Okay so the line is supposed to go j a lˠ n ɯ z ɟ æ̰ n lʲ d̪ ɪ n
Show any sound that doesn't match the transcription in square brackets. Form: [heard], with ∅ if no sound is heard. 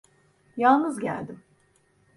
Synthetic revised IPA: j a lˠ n ɯ z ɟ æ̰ [∅] lʲ d̪ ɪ [m]